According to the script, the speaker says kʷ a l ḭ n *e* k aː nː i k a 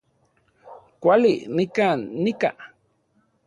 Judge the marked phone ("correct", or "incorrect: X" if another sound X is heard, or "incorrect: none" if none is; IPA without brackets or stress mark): incorrect: i